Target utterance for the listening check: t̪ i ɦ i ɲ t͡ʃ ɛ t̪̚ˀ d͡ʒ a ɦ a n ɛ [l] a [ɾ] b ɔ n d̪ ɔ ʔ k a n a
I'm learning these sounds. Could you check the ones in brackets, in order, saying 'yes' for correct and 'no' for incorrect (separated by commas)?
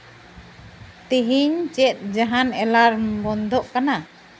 yes, yes